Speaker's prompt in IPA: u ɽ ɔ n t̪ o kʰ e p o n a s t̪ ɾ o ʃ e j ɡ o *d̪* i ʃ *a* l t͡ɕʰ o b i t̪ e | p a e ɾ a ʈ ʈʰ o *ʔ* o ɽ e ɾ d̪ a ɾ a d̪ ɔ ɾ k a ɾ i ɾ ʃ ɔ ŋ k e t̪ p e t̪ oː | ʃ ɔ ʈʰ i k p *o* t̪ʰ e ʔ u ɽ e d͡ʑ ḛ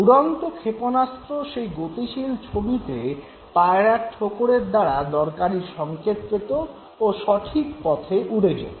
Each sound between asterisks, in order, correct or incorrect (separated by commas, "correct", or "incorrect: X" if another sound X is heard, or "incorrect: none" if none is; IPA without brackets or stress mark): incorrect: t̪, incorrect: i, incorrect: k, incorrect: ɔ